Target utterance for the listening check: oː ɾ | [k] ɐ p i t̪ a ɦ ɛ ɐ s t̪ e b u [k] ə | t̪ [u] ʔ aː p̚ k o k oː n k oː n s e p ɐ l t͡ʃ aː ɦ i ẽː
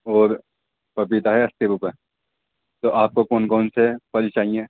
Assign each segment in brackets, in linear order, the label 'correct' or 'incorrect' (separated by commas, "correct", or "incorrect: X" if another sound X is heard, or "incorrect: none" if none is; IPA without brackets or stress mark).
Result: incorrect: p, incorrect: p, incorrect: o